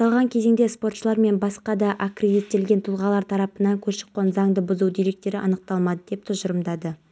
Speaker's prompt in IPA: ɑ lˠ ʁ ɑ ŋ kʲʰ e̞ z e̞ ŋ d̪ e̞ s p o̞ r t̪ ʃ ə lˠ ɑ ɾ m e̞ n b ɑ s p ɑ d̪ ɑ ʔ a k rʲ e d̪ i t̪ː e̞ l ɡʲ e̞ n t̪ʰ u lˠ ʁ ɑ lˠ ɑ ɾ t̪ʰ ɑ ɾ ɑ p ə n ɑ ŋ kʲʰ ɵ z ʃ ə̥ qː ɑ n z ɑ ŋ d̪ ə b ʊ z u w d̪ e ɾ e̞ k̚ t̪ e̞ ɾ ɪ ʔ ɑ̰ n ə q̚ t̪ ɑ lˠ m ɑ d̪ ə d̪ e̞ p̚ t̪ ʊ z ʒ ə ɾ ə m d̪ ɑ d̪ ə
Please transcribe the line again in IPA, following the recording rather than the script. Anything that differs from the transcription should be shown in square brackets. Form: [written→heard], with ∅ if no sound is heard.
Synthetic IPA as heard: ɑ lˠ ʁ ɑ ŋ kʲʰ e̞ z e̞ ŋ d̪ e̞ s p o̞ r t̪ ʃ ə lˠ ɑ ɾ m e̞ n b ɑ s [p→q] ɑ d̪ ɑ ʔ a k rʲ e d̪ i t̪ː e̞ l ɡʲ e̞ n t̪ʰ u lˠ ʁ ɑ lˠ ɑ ɾ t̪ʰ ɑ ɾ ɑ p ə n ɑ ŋ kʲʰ ɵ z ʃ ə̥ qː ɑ n z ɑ ŋ d̪ ə b ʊ z u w d̪ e ɾ e̞ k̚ t̪ e̞ ɾ ɪ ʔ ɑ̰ n ə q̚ t̪ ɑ lˠ m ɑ d̪ ə d̪ e̞ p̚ [t̪→t̪ʰ] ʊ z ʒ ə ɾ ə m d̪ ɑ d̪ ə